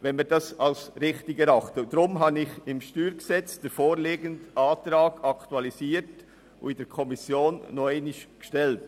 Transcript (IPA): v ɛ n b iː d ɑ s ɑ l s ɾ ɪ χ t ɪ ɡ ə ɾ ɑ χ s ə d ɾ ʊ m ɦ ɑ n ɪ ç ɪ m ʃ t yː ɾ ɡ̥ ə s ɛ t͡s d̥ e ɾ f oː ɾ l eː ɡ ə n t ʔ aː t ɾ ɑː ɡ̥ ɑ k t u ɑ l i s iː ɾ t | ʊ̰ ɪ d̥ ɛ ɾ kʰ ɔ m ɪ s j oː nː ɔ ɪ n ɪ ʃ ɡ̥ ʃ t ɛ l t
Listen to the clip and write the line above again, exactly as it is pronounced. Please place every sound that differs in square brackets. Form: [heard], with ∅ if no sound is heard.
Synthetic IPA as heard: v ɛ n [m] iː d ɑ s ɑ l s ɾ ɪ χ t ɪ ɡ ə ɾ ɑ χ [t] ə d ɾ ʊ m ɦ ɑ n ɪ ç ɪ m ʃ t yː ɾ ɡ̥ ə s ɛ t͡s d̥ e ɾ f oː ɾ l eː ɡ ə n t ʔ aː t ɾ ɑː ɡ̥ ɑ k t u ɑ l i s iː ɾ t | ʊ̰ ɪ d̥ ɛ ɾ kʰ ɔ m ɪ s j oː nː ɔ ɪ n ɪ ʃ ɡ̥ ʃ t ɛ l t